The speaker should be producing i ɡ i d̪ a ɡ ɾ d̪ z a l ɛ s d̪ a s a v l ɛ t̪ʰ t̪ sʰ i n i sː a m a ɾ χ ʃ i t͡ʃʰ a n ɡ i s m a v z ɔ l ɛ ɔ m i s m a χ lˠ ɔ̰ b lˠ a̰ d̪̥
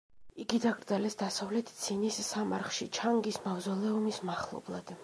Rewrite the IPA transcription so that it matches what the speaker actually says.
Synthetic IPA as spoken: i ɡ i d̪ a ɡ ɾ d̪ z a l ɛ s d̪ a s a v l ɛ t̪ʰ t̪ sʰ i n i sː a m a ɾ χ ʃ i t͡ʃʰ a ŋ ɡ i s m a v z ɔ l ɛ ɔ m i s m a χ lˠ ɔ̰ b lˠ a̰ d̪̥